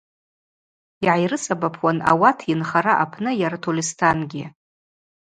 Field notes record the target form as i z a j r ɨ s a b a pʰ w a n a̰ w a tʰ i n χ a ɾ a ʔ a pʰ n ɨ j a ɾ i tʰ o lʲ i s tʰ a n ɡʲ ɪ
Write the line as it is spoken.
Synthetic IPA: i ʕ a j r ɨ s a b a pʰ w a n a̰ w a tʰ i n χ a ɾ a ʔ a pʰ n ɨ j a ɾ a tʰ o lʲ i s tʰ a n ɡʲ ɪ